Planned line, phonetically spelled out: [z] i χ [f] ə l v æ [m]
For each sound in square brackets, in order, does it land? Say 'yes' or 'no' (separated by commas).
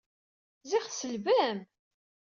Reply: yes, no, yes